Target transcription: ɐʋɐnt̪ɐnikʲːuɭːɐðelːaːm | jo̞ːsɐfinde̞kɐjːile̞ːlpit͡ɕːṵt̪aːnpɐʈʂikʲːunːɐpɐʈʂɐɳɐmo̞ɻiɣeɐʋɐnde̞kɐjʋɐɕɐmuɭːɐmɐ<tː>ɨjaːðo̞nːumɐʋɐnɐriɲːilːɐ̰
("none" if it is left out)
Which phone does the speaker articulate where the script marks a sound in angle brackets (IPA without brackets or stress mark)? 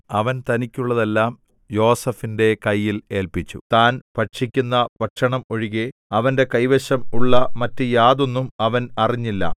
tː